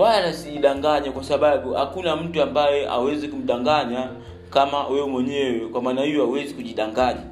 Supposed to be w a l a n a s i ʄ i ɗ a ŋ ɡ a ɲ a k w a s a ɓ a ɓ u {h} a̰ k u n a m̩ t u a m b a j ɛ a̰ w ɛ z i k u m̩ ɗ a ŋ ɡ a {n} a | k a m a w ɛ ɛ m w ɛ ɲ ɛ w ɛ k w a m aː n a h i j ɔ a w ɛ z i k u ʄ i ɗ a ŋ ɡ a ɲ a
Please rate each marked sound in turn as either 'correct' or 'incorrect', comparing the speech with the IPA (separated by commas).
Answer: correct, incorrect